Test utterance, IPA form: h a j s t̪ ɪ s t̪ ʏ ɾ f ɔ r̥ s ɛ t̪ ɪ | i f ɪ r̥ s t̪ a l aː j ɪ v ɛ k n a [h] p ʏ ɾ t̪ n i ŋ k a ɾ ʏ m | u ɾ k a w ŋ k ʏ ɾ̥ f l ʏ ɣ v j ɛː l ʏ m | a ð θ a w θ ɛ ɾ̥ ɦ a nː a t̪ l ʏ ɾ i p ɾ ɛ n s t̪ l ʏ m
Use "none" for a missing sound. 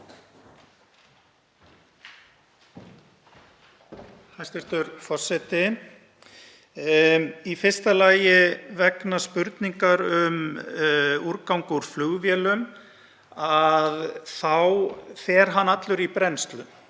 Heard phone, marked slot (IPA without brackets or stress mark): s